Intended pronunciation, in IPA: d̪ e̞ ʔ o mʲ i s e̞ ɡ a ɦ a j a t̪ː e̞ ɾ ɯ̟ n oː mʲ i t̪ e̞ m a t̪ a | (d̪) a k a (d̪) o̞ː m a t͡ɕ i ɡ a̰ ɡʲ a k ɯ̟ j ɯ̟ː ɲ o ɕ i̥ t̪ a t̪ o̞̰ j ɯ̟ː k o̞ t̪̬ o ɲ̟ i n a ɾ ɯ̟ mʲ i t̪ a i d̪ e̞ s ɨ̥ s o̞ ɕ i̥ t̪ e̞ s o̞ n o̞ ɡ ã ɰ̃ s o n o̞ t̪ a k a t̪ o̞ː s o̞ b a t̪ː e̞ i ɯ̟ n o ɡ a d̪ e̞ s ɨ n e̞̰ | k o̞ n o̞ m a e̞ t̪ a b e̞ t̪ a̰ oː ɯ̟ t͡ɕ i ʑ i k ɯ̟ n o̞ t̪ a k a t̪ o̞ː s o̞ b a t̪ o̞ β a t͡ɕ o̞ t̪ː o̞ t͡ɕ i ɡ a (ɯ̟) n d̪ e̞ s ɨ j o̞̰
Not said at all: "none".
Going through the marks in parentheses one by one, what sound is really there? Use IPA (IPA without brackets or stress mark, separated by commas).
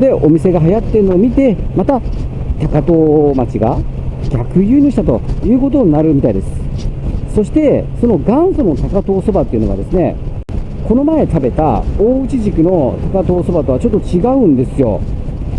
t̪, t̪, ɯ̟̃